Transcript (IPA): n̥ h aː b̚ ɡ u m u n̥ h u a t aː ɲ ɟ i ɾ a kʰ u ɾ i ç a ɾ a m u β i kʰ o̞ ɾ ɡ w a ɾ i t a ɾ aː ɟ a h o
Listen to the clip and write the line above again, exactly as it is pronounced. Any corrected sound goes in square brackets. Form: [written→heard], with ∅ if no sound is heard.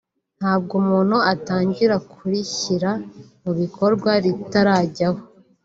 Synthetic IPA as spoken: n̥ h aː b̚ ɡ u m [u→uː] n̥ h u a t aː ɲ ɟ i ɾ a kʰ u ɾ i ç [a→i] ɾ a m u β i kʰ o̞ ɾ ɡ w a ɾ i t a ɾ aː ɟ a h o